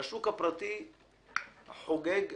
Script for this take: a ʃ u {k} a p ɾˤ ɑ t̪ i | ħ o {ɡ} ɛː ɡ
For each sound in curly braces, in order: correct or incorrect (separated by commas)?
correct, correct